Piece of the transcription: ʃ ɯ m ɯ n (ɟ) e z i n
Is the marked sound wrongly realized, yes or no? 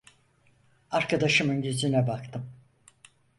no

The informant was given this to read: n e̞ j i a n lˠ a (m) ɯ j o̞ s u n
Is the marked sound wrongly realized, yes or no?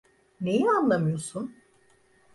no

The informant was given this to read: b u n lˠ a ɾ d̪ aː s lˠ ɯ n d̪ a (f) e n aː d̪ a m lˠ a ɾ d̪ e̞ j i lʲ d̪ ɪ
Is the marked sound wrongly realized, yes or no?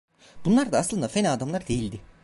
no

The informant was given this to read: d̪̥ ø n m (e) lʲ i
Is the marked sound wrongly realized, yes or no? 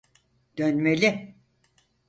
no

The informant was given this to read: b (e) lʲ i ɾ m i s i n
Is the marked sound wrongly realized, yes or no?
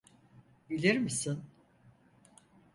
yes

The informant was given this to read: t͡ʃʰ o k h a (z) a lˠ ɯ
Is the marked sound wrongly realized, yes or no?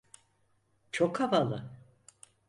yes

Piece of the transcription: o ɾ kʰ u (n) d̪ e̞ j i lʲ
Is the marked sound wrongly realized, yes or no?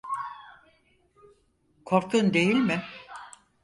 no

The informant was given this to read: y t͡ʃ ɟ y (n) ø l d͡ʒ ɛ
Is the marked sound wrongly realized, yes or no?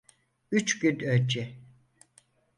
no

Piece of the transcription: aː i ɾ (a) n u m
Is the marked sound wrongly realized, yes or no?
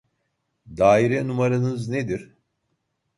yes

